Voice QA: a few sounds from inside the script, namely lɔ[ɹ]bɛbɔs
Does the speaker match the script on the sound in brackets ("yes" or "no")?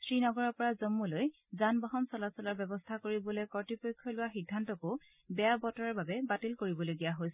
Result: yes